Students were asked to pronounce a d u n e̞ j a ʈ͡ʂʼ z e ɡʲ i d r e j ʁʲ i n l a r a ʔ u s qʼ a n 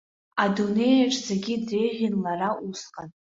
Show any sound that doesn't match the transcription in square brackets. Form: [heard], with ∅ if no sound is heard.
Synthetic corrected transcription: a d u n e̞ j a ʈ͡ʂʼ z e ɡʲ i d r e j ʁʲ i n l a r a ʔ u s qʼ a n